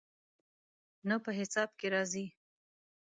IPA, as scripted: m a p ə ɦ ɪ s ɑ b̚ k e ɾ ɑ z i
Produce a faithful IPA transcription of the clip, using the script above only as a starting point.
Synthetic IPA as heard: n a p ə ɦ ɪ s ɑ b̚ k e ɾ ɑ z i

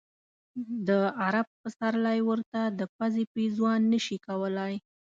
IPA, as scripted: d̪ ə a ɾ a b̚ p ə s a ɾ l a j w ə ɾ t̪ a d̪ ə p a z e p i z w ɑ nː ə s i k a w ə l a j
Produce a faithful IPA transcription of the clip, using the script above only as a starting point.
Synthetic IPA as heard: d̪ ə a ɾ a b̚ p ə s a ɾ l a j w ə ɾ t̪ a d̪ ə p a z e p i z w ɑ nː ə ʃ i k a w ə l a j

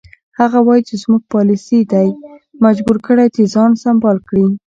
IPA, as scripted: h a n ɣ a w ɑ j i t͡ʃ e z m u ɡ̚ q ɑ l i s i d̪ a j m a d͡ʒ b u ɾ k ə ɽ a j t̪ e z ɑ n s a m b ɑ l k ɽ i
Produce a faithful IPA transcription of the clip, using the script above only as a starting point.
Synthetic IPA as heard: h a ɣ a w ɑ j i t͡ʃ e z m u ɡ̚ p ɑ l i s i d̪ a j m a d͡ʒ b u ɾ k ə ɽ a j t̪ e z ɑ n s a m b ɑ l k ɽ i

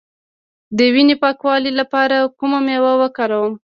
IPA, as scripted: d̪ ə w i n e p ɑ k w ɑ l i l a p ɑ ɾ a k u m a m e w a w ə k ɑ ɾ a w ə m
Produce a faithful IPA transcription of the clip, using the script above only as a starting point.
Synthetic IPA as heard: d̪ ə w i n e p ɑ k w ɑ l i l a p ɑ ɾ a k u m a m e w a w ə k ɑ ɾ a w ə m

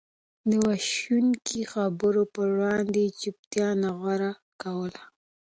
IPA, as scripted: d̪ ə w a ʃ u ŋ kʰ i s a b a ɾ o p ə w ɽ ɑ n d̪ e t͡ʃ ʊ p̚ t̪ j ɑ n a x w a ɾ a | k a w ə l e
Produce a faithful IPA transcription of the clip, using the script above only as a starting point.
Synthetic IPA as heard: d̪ ə w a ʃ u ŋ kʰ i x a b ə ɾ o p ə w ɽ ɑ n d̪ e t͡ʃ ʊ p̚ t̪ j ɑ n a ɣ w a ɾ a | k a w ə l a

